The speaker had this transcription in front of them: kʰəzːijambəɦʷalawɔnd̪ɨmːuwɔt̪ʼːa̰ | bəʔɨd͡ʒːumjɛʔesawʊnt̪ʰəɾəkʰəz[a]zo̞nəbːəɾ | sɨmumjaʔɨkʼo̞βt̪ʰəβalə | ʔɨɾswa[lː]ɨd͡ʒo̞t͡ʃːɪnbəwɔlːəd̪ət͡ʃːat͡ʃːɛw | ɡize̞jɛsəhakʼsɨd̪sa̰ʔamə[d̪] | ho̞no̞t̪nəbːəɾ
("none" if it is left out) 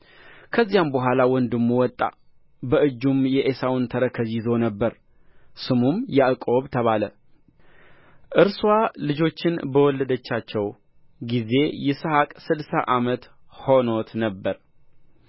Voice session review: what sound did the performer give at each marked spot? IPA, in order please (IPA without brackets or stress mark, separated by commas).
i, l, t̪